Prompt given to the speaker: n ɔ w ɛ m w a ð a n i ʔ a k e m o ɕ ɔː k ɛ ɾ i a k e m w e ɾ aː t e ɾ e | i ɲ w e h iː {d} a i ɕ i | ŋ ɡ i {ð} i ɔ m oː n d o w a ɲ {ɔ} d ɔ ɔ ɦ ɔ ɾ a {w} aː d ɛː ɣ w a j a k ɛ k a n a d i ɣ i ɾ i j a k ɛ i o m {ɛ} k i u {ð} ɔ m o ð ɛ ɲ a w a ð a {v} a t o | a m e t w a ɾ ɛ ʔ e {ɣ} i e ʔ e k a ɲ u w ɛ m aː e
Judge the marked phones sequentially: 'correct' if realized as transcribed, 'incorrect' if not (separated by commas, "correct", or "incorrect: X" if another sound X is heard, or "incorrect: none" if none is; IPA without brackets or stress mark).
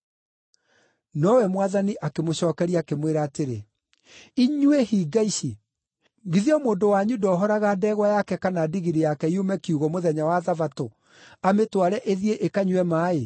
incorrect: ɡ, correct, incorrect: u, incorrect: ɣ, correct, incorrect: ɣ, correct, incorrect: ð